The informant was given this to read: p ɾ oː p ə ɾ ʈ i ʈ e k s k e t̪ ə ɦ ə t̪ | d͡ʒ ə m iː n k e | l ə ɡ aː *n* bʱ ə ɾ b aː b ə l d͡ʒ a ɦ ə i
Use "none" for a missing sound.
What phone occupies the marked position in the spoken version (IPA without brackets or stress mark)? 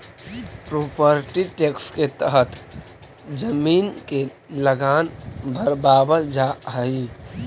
n